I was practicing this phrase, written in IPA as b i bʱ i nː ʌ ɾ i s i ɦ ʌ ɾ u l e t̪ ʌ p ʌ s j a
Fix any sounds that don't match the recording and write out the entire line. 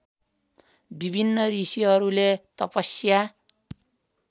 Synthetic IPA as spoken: b i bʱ i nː ʌ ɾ i s i ɦ ʌ ɾ u l e t̪ ʌ p ʌ s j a